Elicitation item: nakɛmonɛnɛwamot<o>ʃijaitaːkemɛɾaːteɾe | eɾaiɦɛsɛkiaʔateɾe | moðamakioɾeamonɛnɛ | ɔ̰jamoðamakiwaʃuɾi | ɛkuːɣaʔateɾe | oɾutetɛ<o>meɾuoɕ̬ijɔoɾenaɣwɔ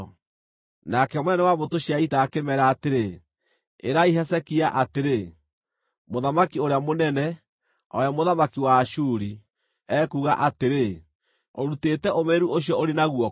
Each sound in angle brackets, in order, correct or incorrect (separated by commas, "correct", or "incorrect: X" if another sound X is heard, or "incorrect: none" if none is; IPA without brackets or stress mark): correct, correct